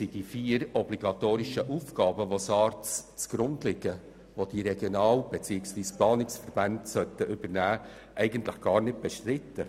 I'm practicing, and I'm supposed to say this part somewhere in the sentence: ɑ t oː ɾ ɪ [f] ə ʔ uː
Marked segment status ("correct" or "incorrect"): incorrect